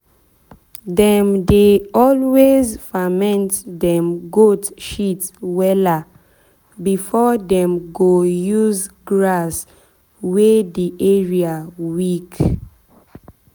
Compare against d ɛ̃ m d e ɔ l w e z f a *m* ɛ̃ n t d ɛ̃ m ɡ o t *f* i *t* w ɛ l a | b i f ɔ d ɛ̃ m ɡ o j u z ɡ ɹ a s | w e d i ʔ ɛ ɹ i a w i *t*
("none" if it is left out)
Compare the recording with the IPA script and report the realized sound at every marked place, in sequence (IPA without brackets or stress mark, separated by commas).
m, ʃ, t, k